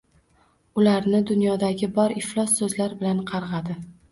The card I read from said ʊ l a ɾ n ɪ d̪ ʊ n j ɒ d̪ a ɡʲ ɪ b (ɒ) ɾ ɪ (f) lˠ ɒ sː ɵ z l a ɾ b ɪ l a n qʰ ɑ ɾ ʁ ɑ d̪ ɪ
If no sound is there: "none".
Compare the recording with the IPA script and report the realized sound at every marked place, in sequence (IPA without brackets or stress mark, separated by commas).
ɒ, f